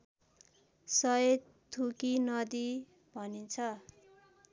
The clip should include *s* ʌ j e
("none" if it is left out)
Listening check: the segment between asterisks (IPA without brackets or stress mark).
s